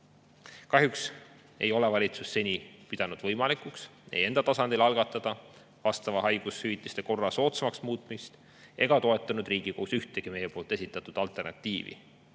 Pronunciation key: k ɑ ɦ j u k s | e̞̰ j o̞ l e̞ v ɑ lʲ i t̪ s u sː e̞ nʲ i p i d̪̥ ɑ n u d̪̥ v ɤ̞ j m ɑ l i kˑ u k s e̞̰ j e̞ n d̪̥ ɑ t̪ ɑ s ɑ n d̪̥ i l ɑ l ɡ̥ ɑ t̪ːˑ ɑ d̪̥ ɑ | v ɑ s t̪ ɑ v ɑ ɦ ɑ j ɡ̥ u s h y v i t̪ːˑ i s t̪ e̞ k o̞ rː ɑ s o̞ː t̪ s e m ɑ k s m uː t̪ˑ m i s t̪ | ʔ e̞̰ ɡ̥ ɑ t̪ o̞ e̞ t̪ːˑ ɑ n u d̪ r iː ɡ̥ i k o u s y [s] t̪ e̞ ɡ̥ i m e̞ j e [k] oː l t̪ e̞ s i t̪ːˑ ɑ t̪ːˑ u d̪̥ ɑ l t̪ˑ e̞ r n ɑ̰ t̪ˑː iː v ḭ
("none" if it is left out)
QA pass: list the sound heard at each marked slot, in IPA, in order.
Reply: h, p

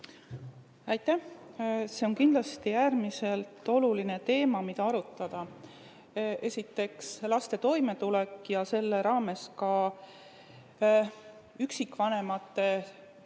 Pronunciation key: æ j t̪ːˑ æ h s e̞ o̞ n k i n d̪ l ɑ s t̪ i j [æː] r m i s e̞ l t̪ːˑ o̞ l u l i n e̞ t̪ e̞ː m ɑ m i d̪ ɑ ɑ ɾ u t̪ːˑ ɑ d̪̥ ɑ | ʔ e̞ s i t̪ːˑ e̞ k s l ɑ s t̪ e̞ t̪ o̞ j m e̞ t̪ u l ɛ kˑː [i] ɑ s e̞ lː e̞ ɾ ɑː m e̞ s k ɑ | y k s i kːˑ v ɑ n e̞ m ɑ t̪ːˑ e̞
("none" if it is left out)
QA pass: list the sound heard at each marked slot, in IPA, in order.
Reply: æː, j

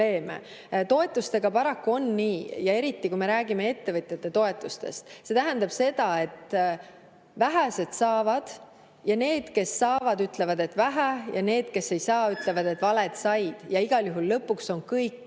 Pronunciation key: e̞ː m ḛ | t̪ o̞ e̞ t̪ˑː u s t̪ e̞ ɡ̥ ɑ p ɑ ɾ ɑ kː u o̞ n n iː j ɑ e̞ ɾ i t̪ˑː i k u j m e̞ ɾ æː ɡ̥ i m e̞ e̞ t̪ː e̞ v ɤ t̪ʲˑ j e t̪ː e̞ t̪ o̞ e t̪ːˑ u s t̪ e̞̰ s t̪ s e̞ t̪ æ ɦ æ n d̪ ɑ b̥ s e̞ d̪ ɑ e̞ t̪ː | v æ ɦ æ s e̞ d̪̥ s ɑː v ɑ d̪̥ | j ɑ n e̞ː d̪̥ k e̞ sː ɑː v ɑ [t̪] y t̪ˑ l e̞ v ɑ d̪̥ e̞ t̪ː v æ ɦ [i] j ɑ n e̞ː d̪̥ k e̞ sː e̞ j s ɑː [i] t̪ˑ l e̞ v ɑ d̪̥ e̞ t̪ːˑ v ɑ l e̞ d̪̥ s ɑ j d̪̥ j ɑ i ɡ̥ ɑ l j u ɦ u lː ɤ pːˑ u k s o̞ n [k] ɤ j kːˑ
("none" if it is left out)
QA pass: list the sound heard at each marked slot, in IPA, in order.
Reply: d̪, æ, y, k

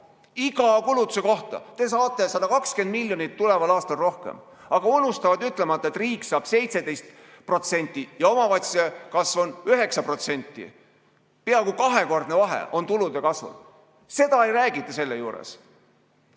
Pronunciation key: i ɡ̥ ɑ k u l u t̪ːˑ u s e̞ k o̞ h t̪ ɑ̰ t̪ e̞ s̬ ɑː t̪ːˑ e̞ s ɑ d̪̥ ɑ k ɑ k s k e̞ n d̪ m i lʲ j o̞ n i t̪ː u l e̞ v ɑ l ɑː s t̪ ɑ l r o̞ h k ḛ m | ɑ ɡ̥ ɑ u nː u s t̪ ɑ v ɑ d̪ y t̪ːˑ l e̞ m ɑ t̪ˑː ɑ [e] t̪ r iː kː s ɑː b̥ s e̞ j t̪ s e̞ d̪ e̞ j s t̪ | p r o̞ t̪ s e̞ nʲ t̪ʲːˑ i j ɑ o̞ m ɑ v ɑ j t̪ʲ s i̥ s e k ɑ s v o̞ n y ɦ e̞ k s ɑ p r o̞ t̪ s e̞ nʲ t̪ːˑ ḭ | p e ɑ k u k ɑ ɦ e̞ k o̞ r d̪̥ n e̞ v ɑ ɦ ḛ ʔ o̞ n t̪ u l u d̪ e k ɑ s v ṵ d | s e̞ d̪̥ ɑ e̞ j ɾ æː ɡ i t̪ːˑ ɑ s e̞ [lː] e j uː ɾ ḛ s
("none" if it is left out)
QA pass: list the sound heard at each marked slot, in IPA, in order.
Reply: e, lː

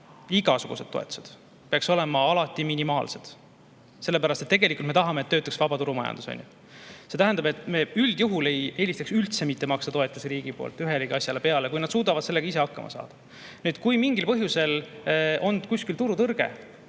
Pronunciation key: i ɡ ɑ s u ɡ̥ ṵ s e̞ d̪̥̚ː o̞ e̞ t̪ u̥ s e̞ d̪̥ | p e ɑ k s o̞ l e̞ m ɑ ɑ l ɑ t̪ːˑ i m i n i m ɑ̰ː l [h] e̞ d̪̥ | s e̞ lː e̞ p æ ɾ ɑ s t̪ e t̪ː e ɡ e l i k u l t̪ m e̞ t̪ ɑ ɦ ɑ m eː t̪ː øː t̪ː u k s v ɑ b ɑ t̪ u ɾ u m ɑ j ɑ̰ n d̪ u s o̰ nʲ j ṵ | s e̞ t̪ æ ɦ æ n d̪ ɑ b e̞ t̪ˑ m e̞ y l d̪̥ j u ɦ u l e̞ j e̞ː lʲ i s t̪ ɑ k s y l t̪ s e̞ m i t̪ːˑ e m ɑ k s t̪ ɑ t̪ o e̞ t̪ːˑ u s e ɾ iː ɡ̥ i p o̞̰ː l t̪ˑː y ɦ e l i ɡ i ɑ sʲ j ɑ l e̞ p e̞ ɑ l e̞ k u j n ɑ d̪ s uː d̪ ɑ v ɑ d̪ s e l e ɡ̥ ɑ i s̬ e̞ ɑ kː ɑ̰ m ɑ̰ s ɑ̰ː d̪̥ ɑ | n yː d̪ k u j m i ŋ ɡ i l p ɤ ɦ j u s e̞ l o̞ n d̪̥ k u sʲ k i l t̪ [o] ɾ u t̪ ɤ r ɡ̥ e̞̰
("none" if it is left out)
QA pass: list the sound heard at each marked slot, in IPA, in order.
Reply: s, u

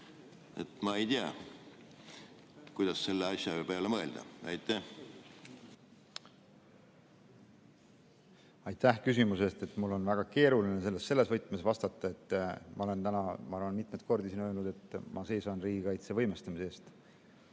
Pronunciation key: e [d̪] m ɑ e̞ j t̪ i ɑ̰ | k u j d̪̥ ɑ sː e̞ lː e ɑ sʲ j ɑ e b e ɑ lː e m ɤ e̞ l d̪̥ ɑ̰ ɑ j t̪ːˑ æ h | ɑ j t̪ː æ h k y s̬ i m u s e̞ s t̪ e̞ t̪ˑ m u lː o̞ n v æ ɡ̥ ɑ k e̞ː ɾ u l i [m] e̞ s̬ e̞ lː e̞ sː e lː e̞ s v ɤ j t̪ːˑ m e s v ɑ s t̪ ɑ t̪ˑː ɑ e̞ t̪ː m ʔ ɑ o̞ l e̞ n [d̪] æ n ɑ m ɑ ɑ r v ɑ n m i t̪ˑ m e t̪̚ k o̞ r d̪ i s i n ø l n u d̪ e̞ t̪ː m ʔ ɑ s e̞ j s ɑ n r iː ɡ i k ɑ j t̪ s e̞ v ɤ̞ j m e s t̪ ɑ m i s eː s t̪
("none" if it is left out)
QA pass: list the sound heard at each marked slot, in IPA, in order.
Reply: t̪, n, t̪

